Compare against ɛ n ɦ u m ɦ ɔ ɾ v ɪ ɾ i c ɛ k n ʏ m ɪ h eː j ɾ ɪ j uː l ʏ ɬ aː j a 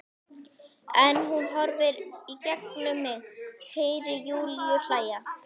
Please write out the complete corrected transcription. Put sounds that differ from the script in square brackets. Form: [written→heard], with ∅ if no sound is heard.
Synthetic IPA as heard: ɛ n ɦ u [m→n] ɦ ɔ ɾ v ɪ ɾ i c ɛ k n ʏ m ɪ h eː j ɾ ɪ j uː l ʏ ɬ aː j a